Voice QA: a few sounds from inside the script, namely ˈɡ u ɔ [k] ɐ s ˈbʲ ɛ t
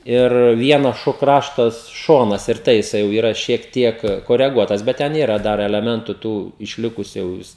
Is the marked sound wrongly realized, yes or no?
yes